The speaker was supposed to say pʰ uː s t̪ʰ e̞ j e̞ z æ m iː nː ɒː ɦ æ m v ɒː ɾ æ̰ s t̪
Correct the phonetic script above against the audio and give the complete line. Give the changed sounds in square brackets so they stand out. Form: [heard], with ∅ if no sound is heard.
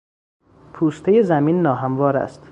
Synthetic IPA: pʰ uː s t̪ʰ e̞ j e̞ z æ m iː nː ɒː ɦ æ m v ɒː ɾ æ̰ s t̪